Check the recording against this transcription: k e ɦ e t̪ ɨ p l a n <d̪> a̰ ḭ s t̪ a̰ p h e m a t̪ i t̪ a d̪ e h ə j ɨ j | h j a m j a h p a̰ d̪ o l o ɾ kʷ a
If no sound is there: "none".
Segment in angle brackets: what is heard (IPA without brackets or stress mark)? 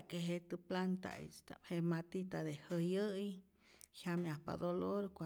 t̪